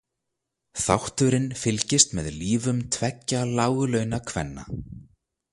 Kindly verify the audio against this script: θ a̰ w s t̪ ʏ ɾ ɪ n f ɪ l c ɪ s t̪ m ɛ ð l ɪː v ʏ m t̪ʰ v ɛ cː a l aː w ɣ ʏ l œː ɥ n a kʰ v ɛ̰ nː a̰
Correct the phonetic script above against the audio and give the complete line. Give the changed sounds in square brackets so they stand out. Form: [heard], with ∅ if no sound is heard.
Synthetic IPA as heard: θ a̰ w [h] t̪ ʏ ɾ ɪ n f ɪ l c ɪ s t̪ m ɛ ð l [iː] v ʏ m t̪ʰ v ɛ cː a l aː w ɣ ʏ l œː ɥ n a kʰ v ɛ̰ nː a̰